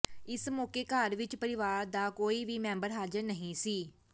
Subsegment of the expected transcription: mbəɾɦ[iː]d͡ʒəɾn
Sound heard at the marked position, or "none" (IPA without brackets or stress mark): aː